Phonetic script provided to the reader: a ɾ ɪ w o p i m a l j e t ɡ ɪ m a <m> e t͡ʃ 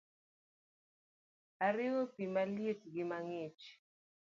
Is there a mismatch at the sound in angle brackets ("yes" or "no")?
yes